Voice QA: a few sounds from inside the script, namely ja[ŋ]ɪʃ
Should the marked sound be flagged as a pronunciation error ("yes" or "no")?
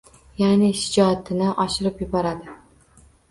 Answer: yes